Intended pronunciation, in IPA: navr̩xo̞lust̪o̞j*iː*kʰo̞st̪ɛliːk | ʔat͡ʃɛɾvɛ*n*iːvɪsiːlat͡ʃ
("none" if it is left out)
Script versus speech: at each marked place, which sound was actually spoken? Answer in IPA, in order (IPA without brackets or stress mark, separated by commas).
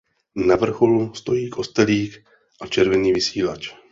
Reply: iː, n